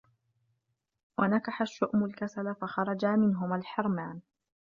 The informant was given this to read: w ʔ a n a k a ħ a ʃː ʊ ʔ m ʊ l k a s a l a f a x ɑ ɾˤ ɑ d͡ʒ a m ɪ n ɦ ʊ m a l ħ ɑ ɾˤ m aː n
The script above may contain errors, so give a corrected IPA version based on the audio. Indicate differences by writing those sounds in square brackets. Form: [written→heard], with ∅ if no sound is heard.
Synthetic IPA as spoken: w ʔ a n a k a ħ a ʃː ʊ ʔ m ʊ l k a s a l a f a x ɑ ɾˤ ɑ d͡ʒ a m ɪ n ɦ ʊ m a l ħ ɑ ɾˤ m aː n